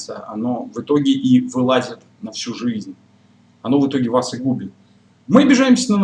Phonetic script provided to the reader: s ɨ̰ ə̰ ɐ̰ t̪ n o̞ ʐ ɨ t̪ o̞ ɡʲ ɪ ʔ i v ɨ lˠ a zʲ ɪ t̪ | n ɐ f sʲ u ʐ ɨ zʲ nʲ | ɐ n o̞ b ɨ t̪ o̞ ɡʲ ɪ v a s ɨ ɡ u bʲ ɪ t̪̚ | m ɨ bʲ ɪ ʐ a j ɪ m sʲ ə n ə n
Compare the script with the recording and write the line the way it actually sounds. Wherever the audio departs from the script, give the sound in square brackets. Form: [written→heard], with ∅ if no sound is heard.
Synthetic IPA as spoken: s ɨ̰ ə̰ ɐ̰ [t̪→∅] n o̞ [ʐ→v] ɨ t̪ o̞ ɡʲ ɪ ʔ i v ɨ lˠ a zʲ ɪ t̪ | n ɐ f sʲ u ʐ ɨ zʲ nʲ | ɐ n o̞ [b→v] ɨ t̪ o̞ ɡʲ ɪ v a s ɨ ɡ u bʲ ɪ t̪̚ | m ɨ bʲ ɪ ʐ a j ɪ m sʲ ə n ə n